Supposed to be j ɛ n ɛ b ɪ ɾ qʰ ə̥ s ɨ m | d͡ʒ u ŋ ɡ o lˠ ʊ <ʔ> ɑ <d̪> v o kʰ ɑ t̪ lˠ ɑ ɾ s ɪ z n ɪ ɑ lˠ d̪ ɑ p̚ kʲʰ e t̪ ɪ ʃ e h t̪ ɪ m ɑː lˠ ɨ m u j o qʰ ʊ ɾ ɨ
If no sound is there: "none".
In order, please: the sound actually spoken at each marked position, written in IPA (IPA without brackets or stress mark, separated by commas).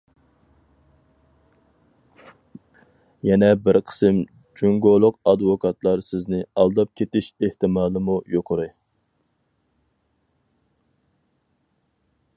q, d̪